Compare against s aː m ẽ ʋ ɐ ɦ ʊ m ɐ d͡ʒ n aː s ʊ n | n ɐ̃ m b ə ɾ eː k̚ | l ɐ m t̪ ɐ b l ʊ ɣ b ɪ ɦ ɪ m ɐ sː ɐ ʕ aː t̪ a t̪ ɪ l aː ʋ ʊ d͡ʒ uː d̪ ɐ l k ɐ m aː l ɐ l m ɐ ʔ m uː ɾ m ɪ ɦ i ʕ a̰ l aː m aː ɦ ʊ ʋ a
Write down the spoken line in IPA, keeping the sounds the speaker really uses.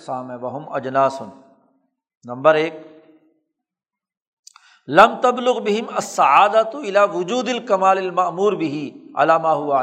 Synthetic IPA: s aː m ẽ ʋ ɐ ɦ ʊ m ɐ d͡ʒ n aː s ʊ n | n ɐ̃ m b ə ɾ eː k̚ | l ɐ m t̪ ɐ b l ʊ ɣ b ɪ ɦ ɪ m ɐ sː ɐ ʕ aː d̪ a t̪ ɪ l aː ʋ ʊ d͡ʒ uː d̪ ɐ l k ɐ m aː l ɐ l m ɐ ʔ m uː ɾ b ɪ ɦ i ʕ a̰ l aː m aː ɦ ʊ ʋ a